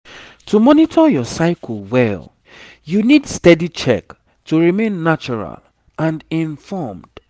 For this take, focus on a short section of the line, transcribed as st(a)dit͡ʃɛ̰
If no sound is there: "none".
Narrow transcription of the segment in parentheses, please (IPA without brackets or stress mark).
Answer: ɛ